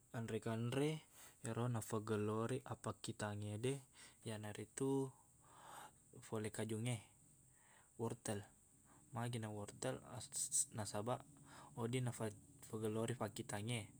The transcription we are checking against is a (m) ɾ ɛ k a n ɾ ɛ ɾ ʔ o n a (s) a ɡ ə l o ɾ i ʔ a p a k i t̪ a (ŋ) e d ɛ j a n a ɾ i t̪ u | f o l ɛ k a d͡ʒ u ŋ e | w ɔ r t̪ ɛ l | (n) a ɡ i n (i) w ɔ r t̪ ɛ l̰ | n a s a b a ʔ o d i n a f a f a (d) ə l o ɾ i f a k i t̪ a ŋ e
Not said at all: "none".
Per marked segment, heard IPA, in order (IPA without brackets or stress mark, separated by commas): n, f, ŋ, m, a, ɡ